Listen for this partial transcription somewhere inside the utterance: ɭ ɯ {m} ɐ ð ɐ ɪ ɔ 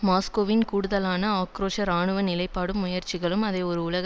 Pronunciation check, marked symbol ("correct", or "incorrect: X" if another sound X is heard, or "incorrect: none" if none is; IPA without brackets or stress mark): correct